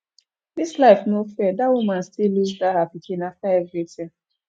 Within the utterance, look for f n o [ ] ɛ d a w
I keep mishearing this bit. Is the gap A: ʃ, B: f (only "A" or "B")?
B